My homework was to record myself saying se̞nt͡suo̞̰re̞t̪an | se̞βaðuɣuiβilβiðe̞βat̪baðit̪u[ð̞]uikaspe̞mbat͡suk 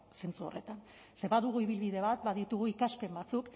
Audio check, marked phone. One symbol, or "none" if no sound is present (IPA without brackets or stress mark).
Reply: ɣ̞